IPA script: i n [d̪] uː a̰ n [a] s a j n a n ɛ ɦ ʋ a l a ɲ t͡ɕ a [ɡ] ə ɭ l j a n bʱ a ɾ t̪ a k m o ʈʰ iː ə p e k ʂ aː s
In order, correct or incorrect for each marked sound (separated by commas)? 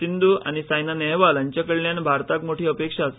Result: correct, incorrect, incorrect